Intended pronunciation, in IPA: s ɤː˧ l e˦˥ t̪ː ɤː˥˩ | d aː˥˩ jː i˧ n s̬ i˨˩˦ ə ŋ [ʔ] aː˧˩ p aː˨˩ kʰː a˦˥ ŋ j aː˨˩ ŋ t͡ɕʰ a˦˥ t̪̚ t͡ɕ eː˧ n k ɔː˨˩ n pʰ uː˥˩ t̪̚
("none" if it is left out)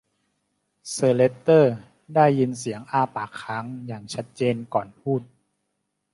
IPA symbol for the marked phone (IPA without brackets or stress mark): ʔ